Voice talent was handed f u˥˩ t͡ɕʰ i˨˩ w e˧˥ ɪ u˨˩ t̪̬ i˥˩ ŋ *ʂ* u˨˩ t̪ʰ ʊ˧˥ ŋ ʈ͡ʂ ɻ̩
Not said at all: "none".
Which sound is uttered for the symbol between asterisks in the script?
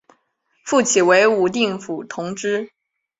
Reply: f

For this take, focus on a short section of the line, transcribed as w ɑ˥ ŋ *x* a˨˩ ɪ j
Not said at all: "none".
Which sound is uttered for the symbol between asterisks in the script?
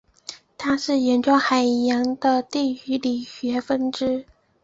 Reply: x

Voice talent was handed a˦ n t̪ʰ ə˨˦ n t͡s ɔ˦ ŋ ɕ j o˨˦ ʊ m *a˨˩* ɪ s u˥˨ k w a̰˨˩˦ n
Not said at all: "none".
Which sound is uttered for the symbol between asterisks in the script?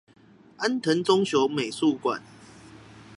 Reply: e˨˩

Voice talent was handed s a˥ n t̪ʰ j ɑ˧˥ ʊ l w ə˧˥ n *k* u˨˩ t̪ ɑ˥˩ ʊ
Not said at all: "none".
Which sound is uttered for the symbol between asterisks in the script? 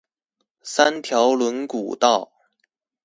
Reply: k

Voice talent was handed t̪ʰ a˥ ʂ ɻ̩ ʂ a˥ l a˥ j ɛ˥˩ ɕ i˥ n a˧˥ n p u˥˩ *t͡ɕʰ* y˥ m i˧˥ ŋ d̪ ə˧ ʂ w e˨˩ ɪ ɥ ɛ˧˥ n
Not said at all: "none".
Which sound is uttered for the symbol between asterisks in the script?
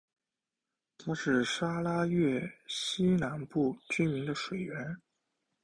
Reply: t͡ɕ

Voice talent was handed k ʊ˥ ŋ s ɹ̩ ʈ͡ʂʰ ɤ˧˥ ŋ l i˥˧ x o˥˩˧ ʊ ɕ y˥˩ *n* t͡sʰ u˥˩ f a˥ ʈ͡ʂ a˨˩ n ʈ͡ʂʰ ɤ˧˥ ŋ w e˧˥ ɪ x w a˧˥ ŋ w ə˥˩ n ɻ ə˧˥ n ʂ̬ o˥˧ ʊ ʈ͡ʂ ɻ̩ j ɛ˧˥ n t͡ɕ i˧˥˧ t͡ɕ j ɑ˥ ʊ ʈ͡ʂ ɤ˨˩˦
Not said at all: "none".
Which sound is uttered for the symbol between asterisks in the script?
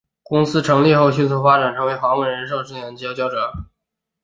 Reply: n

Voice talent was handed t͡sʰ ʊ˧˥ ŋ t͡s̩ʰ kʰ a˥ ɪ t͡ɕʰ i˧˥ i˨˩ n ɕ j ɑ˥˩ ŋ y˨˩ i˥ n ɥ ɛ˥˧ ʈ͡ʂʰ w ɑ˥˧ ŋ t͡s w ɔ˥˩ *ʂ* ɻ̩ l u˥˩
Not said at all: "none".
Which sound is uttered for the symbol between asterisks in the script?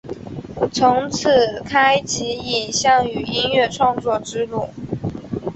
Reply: ʈ͡ʂ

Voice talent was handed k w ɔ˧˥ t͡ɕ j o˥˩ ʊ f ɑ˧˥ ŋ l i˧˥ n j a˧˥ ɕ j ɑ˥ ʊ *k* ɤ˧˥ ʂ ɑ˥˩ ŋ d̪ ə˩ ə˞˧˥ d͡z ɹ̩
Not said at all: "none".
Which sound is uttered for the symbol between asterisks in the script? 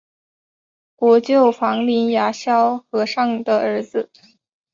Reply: x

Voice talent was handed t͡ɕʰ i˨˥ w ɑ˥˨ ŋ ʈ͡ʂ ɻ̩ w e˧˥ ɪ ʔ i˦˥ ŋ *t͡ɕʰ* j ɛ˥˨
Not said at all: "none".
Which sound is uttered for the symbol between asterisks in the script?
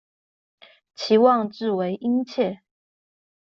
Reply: t͡ɕʰ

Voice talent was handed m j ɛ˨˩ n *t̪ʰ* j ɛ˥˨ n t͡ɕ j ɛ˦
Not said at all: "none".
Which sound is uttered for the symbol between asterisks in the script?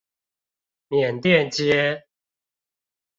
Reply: t̪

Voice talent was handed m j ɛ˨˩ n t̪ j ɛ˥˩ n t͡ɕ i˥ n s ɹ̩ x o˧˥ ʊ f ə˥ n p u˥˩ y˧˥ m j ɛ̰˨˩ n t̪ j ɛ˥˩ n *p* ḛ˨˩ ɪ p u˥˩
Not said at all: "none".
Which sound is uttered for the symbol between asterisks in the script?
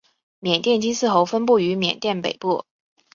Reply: p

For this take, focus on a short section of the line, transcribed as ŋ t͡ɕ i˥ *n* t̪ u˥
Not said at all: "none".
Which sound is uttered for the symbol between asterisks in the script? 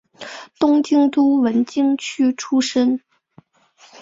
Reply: ŋ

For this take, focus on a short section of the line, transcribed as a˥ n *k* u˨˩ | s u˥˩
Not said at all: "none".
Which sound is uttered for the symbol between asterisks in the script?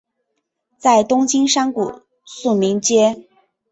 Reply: k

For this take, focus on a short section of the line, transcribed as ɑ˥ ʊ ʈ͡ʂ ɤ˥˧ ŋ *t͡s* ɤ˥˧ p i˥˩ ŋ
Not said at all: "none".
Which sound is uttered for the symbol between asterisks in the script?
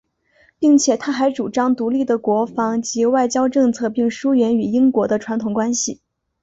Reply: t͡sʰ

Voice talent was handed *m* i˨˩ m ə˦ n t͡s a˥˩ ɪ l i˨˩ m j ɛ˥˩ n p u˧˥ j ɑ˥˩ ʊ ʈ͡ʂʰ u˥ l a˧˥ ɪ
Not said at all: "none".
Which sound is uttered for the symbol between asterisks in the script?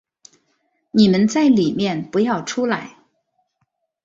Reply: n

